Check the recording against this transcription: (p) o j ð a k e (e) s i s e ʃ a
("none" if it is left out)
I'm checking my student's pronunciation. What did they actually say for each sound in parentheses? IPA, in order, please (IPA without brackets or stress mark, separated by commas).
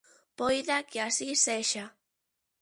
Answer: p, a